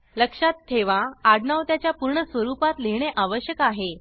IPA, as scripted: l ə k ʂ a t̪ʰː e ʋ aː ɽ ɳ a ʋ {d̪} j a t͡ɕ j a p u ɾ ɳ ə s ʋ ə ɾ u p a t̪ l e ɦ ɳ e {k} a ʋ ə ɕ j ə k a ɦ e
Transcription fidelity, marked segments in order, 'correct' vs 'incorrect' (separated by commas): incorrect, incorrect